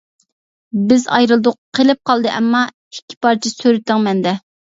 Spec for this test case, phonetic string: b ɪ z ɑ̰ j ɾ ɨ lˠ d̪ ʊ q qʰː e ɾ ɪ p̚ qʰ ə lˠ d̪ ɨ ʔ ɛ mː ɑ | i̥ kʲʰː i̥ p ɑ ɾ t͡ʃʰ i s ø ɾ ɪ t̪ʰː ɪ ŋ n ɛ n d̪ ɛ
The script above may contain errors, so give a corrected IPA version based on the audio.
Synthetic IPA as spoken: b ɪ z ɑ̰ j ɾ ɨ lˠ d̪ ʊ q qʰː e l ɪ p̚ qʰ ɑ lˠ d̪ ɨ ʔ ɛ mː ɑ | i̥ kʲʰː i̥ p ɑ ɾ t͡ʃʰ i s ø ɾ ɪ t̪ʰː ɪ ŋ m ɛ n d̪ ɛ